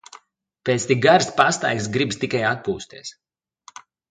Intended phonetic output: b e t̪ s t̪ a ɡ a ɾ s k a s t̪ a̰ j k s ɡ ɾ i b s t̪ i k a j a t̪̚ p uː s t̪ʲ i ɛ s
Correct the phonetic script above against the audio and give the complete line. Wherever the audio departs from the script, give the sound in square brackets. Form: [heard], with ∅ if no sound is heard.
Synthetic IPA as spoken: [p] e t̪ s t̪ [i] ɡ a ɾ s [p] a s t̪ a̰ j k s ɡ ɾ i b s t̪ i k a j a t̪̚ p uː s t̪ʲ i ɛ s